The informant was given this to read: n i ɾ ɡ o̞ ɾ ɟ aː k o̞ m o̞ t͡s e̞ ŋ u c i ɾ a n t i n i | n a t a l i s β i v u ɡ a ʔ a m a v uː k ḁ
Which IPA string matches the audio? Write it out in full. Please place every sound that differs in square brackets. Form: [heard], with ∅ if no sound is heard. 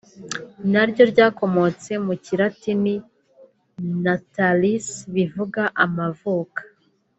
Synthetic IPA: n [a] ɾ [ɟ] o̞ ɾ ɟ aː k o̞ m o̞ t͡s e̞ [m] u c i ɾ a [∅] t i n i | n a t a l i s β i v u ɡ a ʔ a m a v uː k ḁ

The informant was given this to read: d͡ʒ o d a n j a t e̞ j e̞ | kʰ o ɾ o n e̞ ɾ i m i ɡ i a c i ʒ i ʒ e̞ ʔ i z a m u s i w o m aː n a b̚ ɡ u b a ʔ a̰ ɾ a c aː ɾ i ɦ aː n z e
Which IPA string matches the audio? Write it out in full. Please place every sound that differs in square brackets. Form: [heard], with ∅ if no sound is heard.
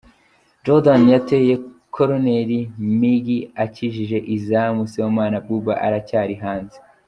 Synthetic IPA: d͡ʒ o d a n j a t e̞ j e̞ | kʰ o ɾ o n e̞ ɾ i m i ɡ i a c i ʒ i ʒ e̞ ʔ i z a m u s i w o m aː n a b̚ ɡ u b a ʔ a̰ ɾ a c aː ɾ i ɦ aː n z e

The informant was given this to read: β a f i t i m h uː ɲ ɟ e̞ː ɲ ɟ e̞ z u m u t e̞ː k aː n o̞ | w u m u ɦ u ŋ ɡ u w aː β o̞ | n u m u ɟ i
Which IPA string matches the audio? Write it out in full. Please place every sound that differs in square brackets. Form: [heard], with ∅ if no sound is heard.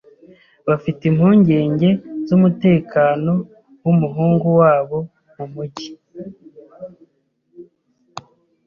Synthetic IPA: β a f i t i m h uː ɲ ɟ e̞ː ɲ ɟ e̞ z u m u t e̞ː k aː n o̞ | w u m u ɦ [uː] ŋ ɡ u w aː β o̞ | [m] u m u ɟ i

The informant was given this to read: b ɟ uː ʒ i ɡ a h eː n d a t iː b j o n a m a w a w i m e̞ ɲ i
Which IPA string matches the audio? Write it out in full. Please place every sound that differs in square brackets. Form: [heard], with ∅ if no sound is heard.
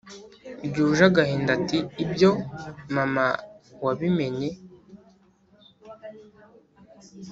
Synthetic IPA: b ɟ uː ʒ [a] ɡ a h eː n d a t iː b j o [m] a m a w a [β] i m e̞ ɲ [e]

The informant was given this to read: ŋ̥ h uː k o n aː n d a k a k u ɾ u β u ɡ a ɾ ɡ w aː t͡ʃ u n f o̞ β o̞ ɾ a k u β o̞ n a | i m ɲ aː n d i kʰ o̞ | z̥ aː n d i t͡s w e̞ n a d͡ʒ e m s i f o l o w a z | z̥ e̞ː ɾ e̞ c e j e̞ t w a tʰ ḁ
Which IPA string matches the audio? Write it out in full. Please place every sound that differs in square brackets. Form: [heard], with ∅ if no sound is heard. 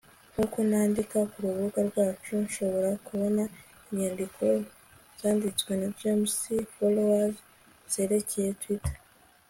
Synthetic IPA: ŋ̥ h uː k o n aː n d [i] k a k u ɾ u β u ɡ a ɾ ɡ w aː t͡ʃ u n [ʃ] o̞ β o̞ ɾ a k u β o̞ n a | i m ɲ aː n d i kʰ o̞ | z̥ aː n d i t͡s w e̞ n a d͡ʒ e m s i f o l o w a z | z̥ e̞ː ɾ e̞ c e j e̞ t w [i] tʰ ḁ

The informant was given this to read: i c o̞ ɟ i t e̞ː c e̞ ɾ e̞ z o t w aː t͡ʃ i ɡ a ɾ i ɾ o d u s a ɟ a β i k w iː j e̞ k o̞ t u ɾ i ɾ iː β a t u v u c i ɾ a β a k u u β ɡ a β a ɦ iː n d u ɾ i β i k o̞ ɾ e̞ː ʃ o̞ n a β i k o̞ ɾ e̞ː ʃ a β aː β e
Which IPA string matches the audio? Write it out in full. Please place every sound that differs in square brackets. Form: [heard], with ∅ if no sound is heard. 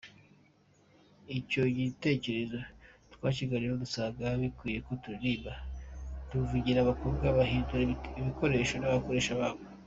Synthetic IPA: i c o̞ ɟ i t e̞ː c e̞ ɾ e̞ z o t w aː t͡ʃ i ɡ a ɾ i ɾ o d u s a [ɡ] a β i k w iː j e̞ k o̞ t u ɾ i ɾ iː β a t u v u [ɟ] i ɾ a β a k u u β ɡ a β a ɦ iː n d u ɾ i β i k o̞ ɾ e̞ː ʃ o̞ n a β [a] k o̞ ɾ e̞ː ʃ a β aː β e

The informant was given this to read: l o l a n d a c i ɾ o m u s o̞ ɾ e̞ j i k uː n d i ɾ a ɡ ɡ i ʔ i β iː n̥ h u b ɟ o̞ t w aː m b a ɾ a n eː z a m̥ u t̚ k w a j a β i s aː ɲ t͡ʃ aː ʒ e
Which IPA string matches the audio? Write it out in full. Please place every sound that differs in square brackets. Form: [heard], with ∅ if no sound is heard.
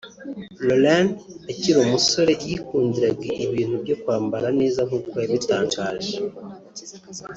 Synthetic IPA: l o l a n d a c i ɾ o m u s o̞ ɾ e̞ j i k uː n d i ɾ a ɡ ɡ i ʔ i β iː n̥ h u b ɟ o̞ [k] w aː m b a ɾ a n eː z a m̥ u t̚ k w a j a β i [t] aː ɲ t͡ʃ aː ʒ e

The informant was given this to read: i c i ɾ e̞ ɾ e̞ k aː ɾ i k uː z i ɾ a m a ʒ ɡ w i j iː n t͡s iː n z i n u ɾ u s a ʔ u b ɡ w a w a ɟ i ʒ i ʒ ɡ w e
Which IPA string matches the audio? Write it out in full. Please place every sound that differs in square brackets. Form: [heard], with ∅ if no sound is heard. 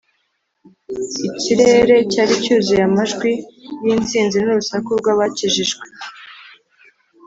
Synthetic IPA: i c i ɾ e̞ ɾ e̞ [c] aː ɾ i [c] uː z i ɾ a m a ʒ ɡ w i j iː n t͡s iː n z i n u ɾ u s a [k] u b ɡ w a [β] a [c] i ʒ i ʒ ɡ w e

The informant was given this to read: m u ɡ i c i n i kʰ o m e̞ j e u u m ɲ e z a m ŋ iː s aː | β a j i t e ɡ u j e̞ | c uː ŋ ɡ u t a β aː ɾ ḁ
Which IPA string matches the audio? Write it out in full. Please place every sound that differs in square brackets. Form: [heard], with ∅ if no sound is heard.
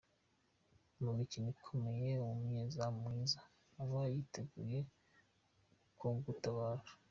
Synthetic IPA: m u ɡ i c i n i kʰ o m e̞ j e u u m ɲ e z a m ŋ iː [z] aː | β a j i t e ɡ u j e̞ | [k] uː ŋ ɡ u t a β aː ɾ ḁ

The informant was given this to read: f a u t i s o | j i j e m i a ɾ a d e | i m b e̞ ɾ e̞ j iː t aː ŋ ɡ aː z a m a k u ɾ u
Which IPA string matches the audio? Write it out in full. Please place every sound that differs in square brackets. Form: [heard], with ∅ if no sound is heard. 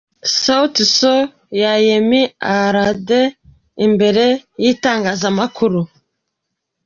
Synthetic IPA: [s] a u t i s o | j [a] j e m i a ɾ a d e | i m b e̞ ɾ e̞ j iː t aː ŋ ɡ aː z a m a k u ɾ u

